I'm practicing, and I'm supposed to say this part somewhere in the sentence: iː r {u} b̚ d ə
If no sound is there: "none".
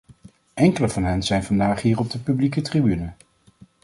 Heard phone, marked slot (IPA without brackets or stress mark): ɔ